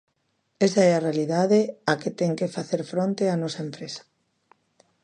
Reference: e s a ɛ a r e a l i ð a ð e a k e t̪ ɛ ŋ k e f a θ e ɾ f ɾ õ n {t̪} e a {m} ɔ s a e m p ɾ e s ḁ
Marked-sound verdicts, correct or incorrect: correct, incorrect: n

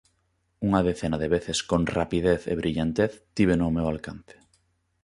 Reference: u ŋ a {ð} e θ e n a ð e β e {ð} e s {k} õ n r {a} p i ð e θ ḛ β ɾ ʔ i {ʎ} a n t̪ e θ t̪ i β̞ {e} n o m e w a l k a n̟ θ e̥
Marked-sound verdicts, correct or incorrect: correct, incorrect: θ, correct, correct, correct, correct

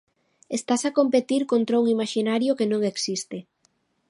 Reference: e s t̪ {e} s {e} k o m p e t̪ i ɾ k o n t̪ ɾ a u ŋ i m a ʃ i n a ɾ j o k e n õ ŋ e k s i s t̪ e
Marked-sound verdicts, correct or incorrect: incorrect: a, incorrect: a

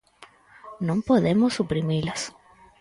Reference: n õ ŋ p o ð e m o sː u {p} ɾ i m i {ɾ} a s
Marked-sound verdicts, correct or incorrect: correct, incorrect: l

